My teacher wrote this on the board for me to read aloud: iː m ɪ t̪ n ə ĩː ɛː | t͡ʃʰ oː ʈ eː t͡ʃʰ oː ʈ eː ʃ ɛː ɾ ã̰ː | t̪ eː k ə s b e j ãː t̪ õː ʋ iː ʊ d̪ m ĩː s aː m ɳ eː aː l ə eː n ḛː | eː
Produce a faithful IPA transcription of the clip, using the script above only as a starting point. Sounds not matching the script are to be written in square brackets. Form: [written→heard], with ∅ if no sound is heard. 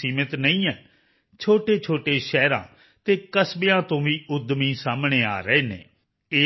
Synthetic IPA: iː m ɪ t̪ n ə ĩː ɛː | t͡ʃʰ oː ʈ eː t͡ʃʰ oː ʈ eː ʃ ɛː ɾ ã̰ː | t̪ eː k ə s b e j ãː t̪ õː ʋ iː ʊ d̪ m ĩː s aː m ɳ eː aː [l→ɾ] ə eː n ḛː | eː